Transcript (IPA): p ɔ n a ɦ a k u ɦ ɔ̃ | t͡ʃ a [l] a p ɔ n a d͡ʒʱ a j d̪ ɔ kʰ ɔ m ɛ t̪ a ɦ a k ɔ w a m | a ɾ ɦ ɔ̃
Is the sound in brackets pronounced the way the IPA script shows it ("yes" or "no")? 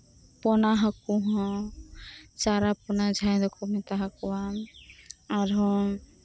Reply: no